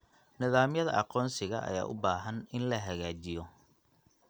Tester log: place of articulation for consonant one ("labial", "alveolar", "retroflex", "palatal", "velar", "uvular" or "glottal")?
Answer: alveolar